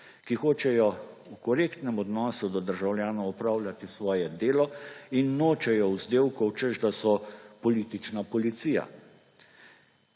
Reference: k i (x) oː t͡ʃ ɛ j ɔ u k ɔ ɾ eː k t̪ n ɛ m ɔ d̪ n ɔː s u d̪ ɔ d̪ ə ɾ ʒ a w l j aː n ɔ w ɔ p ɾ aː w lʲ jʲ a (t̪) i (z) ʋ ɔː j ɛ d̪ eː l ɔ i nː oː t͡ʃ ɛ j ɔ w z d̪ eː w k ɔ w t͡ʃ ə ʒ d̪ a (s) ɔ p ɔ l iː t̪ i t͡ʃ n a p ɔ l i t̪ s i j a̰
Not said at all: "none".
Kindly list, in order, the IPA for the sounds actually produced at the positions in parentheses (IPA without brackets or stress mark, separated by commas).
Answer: x, t̪, s, s